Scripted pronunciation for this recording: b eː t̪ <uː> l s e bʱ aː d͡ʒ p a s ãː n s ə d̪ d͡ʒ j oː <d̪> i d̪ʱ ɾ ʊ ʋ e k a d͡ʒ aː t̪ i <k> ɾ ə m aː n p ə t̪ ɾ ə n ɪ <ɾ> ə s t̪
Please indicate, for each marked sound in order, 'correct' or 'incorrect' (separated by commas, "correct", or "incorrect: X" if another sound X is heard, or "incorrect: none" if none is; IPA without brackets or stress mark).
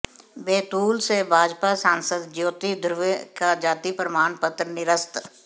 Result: correct, incorrect: t̪, incorrect: p, correct